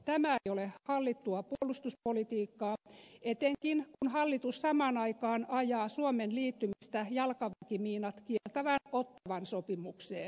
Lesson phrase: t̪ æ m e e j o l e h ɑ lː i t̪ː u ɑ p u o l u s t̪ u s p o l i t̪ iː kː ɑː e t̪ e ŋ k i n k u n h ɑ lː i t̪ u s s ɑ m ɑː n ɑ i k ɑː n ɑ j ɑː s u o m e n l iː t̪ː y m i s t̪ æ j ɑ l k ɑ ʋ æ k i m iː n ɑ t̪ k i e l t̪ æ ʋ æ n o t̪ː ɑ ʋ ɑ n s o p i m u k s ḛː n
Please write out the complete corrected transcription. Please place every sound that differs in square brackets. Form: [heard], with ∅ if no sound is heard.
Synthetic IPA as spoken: t̪ æ m [æ] e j o l e h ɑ lː i t̪ː u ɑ p u o l u s t̪ u s p o l i t̪ iː kː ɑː e t̪ e ŋ k i n k u n h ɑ lː i t̪ u s s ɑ m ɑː n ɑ i k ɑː n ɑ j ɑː s u o m e n l iː t̪ː y m i s t̪ æ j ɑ l k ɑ ʋ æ k i m iː n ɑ t̪ k i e l t̪ æ ʋ æ n o t̪ː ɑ ʋ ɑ n s o p i m u k s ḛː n